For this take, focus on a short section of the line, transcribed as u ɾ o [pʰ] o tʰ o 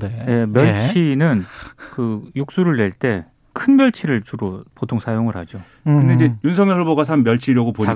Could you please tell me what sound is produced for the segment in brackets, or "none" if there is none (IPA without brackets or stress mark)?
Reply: p